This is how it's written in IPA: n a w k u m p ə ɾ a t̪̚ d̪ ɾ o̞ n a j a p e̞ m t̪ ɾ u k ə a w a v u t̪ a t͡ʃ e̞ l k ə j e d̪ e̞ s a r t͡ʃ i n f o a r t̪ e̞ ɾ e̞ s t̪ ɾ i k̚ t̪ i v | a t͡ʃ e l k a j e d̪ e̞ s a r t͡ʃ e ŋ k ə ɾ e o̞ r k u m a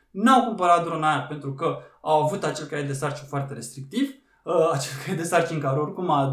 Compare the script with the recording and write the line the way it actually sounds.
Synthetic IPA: n a w k u m p ə ɾ a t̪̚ d̪ ɾ o̞ n a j a p e̞ n t̪ ɾ u k ə a w a v u t̪ a t͡ʃ e̞ l k a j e d̪ e̞ s a r t͡ʃ i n f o a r t̪ e̞ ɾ e̞ s t̪ ɾ i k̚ t̪ i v | a t͡ʃ e l k a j e d̪ e̞ s a r t͡ʃ i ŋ k a ɾ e o̞ r k u m a